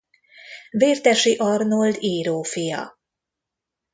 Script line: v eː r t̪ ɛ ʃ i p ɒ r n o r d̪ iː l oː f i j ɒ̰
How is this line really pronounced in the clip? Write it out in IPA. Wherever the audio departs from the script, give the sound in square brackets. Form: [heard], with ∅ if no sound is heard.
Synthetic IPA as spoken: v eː r t̪ ɛ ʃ i [ʔ] ɒ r n o [l] d̪ iː [ɾ] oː f i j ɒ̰